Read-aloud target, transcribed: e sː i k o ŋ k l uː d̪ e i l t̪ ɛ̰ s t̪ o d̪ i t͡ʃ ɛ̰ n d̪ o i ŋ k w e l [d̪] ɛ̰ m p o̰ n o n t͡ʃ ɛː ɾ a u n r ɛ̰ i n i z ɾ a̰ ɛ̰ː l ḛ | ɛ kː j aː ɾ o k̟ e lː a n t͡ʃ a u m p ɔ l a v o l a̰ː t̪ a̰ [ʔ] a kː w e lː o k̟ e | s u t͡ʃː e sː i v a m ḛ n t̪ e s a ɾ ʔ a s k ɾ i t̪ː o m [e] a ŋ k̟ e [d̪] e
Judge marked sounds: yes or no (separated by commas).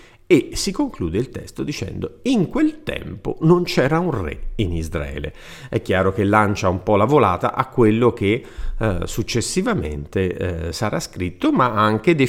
no, yes, no, yes